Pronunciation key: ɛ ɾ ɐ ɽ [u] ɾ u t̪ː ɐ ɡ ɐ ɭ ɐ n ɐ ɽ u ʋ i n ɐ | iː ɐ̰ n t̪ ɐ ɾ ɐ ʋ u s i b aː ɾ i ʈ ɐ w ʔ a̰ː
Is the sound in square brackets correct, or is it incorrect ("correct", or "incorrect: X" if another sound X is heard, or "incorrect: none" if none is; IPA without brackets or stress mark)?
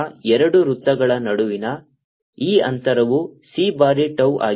correct